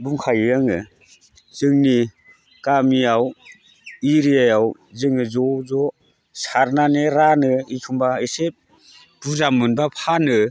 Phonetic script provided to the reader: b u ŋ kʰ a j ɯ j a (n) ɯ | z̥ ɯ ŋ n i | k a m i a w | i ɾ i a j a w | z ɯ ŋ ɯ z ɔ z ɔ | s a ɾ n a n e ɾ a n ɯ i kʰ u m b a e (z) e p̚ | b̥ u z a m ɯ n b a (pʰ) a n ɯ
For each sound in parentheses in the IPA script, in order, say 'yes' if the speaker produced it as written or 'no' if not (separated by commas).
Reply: no, no, yes